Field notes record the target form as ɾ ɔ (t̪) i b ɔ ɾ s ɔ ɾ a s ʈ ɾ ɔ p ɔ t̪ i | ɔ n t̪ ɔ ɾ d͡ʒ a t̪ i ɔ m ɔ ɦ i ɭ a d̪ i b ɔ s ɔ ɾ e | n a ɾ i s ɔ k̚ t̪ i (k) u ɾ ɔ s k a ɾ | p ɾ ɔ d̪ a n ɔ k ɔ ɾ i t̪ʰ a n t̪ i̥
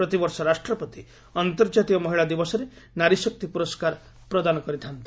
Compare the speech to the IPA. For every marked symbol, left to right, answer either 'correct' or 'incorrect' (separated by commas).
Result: correct, incorrect